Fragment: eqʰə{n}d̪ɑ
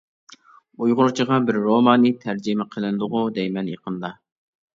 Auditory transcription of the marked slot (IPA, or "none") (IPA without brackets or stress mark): n